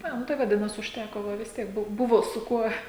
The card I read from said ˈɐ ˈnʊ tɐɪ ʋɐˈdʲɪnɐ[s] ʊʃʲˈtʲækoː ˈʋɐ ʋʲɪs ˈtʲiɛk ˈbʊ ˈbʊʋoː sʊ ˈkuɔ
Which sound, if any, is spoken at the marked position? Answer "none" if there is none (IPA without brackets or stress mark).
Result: s